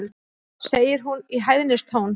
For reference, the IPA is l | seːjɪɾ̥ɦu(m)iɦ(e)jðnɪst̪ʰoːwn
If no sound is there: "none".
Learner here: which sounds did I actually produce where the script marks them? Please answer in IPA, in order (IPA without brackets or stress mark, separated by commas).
n, a